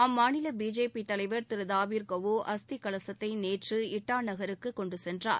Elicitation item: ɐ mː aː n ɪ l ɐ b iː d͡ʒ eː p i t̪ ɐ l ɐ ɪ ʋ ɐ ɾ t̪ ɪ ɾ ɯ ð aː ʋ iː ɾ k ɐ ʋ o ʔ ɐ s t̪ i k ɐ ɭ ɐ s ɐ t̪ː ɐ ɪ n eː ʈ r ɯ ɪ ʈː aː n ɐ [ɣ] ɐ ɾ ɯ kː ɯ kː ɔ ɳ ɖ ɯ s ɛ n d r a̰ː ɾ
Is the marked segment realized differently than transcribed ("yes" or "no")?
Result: no